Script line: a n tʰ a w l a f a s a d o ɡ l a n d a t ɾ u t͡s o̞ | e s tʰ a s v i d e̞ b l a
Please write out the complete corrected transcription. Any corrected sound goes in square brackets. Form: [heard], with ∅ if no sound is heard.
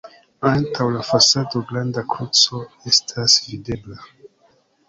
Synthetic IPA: a n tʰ a w l a f a s a d o ɡ l a n d a [k] ɾ u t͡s o̞ | e s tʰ a s v i d e̞ b l a

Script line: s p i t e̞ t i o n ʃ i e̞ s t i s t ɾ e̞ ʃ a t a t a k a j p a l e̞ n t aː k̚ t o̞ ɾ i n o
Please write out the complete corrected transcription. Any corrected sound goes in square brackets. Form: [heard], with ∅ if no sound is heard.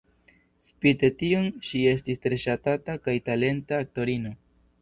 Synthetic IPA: s p i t e̞ t i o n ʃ i e̞ s t i s t ɾ e̞ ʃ a t a t a k a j [t] a l e̞ n t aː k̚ t o̞ ɾ i n o

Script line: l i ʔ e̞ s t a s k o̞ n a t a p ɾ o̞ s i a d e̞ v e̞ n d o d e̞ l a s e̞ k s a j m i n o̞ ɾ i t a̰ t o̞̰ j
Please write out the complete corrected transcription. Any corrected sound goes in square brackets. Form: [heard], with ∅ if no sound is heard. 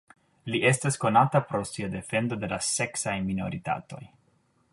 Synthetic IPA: l i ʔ e̞ s t a s k o̞ n a t a p ɾ o̞ s i a d e̞ [f] e̞ n d o d e̞ l a s e̞ k s a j m i n o̞ ɾ i t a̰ t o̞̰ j

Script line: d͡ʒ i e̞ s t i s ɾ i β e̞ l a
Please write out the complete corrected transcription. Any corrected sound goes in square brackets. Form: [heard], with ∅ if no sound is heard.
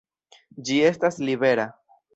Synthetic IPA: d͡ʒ i e̞ s t [a] s [l] i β e̞ [ɾ] a

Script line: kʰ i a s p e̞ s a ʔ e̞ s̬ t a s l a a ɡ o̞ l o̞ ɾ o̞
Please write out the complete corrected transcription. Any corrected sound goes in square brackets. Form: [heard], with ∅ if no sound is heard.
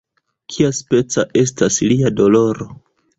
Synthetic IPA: kʰ i a s p e̞ [t͡s] a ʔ e̞ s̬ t a s l [i] a [d] o̞ l o̞ ɾ o̞

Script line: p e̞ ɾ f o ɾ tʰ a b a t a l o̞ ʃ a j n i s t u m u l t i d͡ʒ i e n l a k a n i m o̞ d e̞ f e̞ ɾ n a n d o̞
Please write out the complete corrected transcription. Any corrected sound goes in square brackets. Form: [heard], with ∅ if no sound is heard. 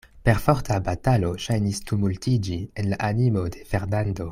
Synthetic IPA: p e̞ ɾ f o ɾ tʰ a b a t a l o̞ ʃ a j n i s t u m u l t i d͡ʒ i e n l a [ʔ] a n i m o̞ d e̞ f e̞ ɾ n a n d o̞

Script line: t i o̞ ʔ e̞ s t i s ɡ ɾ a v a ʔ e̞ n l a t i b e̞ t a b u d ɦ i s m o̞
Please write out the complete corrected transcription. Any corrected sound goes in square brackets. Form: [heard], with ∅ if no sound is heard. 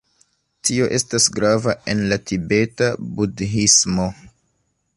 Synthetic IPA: t i o̞ ʔ e̞ s t [a] s ɡ ɾ a v a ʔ e̞ n l a t i b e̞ t a b u d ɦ i s m o̞

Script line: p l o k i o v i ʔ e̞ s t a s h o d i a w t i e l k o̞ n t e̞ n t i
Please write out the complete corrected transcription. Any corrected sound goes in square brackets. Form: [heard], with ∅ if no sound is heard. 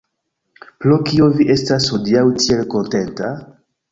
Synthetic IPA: p l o k i o v i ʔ e̞ s t a s h o d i a w t i e l k o̞ n t e̞ n t [a]

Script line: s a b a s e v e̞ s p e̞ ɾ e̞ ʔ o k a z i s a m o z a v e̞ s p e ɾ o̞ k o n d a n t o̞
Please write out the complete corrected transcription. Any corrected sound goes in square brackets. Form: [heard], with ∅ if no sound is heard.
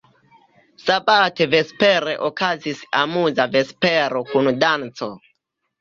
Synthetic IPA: s a b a [t] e v e̞ s p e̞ ɾ e̞ ʔ o k a z i s a m [u] z a v e̞ s p e ɾ o̞ k [u] n d a n [t͡s] o̞

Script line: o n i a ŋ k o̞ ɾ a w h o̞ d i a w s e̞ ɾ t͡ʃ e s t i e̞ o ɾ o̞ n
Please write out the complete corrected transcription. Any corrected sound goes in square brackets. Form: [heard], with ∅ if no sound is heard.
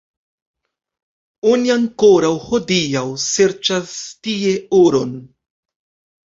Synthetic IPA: o n i a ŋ k o̞ ɾ a w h o̞ d i a w s e̞ ɾ t͡ʃ [a] s t i e̞ o ɾ o̞ n

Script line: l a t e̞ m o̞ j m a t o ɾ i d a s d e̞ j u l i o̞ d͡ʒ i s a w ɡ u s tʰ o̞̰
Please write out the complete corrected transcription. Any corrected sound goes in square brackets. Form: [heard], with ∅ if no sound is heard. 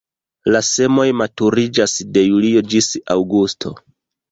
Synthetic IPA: l a [s] e̞ m o̞ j m a t [u] ɾ i [d͡ʒ] a s d e̞ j u l i o̞ d͡ʒ i s a w ɡ u s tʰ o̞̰

